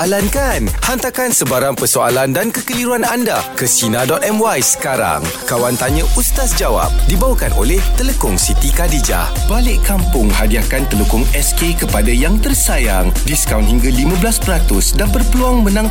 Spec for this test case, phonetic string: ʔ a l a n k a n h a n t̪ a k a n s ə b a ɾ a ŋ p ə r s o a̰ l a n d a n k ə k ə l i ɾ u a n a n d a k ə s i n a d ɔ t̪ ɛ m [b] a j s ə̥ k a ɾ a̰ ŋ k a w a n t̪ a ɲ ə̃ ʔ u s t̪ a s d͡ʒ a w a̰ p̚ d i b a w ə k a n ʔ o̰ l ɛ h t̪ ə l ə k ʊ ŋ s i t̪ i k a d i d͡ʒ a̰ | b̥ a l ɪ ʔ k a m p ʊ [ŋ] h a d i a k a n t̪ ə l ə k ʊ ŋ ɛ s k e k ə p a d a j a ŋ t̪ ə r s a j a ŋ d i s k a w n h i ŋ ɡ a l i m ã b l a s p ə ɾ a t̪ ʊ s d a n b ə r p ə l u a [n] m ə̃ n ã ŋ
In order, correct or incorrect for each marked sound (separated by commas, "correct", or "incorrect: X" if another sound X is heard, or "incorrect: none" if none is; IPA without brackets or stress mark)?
incorrect: w, correct, incorrect: ŋ